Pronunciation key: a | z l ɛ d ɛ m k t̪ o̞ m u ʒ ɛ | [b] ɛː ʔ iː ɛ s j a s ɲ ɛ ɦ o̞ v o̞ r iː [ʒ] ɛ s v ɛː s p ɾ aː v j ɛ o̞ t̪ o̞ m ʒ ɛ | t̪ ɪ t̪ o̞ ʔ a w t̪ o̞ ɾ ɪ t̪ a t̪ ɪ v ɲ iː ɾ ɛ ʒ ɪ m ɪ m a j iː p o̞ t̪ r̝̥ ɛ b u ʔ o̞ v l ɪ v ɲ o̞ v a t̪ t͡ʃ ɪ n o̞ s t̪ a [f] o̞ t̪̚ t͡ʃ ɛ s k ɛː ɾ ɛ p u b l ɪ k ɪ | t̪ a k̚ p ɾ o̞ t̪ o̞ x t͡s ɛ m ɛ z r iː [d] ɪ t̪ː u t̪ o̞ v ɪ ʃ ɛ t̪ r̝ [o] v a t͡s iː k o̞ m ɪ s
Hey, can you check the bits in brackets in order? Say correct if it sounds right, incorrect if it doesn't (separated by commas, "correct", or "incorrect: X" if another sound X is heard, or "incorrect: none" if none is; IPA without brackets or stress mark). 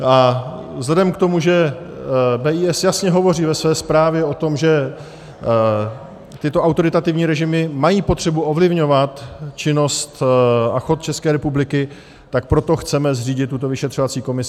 correct, incorrect: v, incorrect: x, incorrect: ɟ, correct